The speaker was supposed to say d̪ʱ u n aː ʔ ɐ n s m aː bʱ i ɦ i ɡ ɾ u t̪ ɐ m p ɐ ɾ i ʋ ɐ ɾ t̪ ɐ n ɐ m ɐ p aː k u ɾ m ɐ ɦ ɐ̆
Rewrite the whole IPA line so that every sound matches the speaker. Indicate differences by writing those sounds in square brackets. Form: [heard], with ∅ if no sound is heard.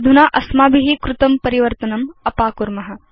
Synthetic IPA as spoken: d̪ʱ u n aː ʔ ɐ [∅] s m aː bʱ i ɦ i [k] ɾ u t̪ ɐ m p ɐ ɾ i ʋ ɐ ɾ t̪ ɐ n ɐ m ɐ p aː k u ɾ m ɐ ɦ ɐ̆